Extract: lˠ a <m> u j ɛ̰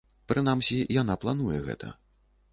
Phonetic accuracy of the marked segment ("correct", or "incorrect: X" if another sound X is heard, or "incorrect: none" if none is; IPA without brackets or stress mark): incorrect: n